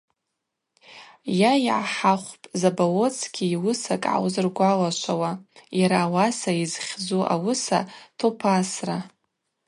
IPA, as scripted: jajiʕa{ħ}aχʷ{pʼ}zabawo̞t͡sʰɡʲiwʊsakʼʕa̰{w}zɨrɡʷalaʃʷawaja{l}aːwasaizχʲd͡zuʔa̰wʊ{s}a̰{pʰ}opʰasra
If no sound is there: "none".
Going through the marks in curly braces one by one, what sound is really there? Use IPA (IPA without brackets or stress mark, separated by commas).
ħ, pʼ, w, ɾ, s, tʰ